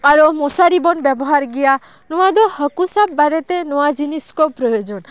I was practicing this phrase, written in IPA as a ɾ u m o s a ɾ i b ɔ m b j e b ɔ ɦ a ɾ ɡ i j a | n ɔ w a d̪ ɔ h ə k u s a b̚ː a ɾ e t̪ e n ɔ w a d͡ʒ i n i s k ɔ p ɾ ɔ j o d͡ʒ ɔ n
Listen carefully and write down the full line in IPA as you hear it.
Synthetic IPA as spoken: a ɾ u m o s a ɾ i b ɔ n b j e b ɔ ɦ a ɾ ɡ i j a | n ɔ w a d̪ ɔ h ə k u s a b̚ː a ɾ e t̪ e n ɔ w a d͡ʒ i n i s k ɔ p ɾ ɔ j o d͡ʒ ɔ n